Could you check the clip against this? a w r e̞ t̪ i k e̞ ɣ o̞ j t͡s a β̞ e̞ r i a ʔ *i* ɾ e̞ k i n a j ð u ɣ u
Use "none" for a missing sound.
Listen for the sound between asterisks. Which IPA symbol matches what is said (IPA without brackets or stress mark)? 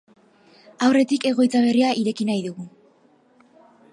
i